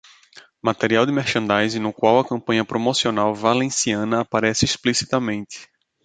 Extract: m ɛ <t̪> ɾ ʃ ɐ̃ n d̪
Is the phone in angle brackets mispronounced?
yes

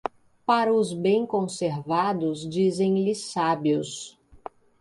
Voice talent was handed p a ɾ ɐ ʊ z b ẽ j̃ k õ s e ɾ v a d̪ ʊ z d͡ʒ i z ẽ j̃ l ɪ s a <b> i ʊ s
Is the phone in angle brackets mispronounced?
no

